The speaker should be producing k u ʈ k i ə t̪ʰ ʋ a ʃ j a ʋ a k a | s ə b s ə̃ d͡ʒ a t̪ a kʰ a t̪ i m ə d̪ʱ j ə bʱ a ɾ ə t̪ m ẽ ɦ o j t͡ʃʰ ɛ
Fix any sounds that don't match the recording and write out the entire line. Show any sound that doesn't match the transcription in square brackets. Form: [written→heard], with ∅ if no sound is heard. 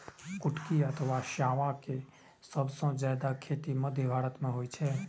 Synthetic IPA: k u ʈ k i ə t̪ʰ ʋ a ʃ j a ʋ a k [a→e] | s ə b s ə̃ d͡ʒ a [t̪→d̪] a kʰ [a→e] t̪ i m ə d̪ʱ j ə bʱ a ɾ ə t̪ m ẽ ɦ o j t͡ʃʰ ɛ